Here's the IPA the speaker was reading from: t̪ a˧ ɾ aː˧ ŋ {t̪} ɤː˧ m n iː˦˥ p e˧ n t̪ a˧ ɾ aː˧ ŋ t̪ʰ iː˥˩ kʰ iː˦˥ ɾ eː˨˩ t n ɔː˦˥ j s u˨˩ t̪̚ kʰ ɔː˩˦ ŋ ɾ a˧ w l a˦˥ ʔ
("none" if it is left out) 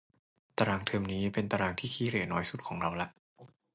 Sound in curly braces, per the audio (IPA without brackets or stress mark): t̪ʰ